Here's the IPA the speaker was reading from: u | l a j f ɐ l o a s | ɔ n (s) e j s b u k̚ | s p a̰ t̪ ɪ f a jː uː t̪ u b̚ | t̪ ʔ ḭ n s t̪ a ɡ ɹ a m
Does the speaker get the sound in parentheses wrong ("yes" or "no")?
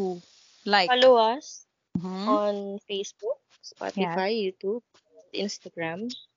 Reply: yes